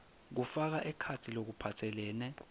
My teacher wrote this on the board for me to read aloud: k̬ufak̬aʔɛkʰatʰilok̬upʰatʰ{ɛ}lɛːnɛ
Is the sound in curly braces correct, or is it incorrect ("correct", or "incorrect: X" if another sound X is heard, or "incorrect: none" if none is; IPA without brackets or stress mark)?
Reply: correct